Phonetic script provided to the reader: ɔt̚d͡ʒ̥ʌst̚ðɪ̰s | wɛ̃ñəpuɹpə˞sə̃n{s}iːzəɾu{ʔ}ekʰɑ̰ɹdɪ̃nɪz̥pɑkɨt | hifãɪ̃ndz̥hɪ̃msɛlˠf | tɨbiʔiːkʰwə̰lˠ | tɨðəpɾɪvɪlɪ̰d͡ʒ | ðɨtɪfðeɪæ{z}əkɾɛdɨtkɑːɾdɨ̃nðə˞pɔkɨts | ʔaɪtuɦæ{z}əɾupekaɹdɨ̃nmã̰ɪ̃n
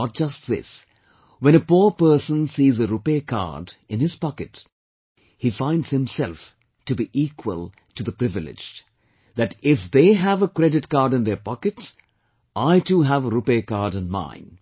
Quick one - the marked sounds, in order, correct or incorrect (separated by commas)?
correct, incorrect, incorrect, incorrect